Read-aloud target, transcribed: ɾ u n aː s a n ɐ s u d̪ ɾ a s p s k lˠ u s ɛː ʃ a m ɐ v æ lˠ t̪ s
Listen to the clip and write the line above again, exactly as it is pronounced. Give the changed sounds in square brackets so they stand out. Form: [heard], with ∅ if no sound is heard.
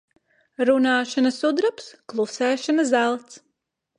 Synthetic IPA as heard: ɾ u n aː [ʃ] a n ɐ s u d̪ ɾ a [∅] p s k lˠ u s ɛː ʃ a [n] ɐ [z] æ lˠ t̪ s